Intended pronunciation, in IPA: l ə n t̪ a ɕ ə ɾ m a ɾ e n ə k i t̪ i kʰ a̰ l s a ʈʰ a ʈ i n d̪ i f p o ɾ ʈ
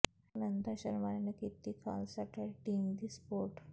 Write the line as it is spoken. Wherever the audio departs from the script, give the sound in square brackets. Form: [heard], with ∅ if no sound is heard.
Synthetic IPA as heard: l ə n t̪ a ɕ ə ɾ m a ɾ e n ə k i t̪ i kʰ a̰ l s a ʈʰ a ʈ i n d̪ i [s] p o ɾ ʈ